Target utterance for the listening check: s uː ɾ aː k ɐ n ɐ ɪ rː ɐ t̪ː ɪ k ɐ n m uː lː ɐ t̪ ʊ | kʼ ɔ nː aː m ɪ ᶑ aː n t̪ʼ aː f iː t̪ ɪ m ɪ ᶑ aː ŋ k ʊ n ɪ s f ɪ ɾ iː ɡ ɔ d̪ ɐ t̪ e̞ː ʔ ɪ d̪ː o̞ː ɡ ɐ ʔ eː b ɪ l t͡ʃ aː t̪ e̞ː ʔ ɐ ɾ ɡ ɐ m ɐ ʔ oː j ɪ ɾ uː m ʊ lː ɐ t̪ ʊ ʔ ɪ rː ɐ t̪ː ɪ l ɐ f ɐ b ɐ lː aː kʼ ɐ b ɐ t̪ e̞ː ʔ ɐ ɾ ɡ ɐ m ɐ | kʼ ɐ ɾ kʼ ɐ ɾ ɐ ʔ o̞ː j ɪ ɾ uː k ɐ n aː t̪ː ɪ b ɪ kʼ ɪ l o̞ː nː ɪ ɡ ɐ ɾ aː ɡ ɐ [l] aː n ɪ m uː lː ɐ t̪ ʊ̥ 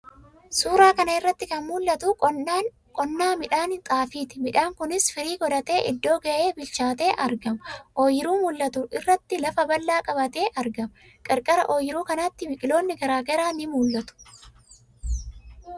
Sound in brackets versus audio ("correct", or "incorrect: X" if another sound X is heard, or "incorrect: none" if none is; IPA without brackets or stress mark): incorrect: ɾ